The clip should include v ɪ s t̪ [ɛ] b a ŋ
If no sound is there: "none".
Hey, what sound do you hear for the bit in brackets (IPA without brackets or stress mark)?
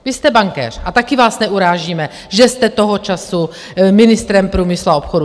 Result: ɛ